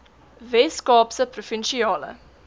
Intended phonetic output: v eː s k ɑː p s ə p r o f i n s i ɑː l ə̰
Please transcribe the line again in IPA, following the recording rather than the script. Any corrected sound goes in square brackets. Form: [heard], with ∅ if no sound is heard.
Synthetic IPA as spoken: v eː s k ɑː p s ə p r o f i n [ʃ] i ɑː l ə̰